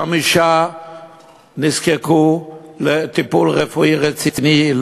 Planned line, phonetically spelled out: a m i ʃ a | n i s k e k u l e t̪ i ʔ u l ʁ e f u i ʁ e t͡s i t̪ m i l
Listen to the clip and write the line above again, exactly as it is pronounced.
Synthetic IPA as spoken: a m i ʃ a | n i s k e k u l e t̪ i p u l ʁ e f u i ʁ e t͡s i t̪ n i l

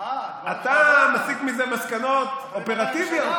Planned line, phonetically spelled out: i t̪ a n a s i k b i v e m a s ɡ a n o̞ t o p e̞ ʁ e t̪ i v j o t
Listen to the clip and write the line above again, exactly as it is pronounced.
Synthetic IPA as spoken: a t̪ a m a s i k m i z e m a s k a n o̞ t o p e̞ ʁ a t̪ i v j o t

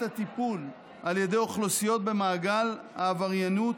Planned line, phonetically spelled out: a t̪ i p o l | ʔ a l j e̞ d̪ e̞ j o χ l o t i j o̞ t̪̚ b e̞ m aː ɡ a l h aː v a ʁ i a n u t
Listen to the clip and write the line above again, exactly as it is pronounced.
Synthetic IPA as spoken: a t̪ i p u l | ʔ a l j e̞ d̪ e̞ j o χ l o s i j o̞ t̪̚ b e̞ m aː ɡ a l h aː v a ʁ j a n u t

